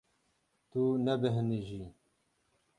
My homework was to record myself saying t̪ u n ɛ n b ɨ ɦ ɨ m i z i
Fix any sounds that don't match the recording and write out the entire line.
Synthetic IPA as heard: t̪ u n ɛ b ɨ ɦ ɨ n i ʒ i